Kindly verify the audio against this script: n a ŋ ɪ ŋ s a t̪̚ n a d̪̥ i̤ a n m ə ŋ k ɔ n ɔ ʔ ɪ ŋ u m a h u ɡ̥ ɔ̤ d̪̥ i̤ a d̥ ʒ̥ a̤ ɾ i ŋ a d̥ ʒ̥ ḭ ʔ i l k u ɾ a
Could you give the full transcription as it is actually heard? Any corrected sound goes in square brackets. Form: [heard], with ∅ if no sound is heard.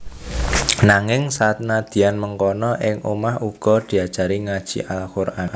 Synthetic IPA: n a ŋ ɪ ŋ s a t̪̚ n a d̪̥ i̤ a n m ə ŋ k ɔ n ɔ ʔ ɪ ŋ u m a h u ɡ̥ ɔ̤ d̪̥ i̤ a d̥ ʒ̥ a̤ ɾ i ŋ a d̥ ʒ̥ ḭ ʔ [a] l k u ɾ a